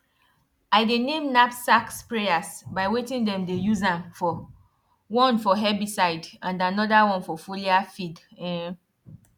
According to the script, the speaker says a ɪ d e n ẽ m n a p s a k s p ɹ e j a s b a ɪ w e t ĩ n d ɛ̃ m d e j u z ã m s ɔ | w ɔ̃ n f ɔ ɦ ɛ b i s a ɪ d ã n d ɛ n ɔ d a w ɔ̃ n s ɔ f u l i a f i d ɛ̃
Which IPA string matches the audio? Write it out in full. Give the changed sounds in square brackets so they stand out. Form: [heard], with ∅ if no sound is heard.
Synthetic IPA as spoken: a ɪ d e n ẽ m n a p s a k s p ɹ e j a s b a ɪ w e t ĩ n d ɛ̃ m d e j u z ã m [f] ɔ | w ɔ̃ n f ɔ ɦ ɛ b i s a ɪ d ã n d [a] n ɔ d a w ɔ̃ n [f] ɔ f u l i a f i d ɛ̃